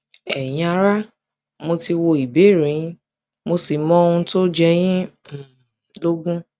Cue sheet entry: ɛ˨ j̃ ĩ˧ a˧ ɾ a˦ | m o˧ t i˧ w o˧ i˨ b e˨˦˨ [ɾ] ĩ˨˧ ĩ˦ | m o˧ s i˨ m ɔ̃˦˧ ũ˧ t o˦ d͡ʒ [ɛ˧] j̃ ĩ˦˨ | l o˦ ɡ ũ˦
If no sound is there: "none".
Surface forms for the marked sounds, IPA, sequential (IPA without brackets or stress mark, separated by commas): ɾ, ɛ˧